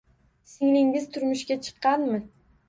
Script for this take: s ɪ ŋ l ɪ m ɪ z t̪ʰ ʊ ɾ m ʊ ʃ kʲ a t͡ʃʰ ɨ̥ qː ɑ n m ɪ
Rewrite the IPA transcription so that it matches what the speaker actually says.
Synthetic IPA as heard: s ɪ ŋ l ɪ ŋ ɪ z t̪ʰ ʊ ɾ m ʊ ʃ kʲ a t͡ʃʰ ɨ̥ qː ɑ n m ɪ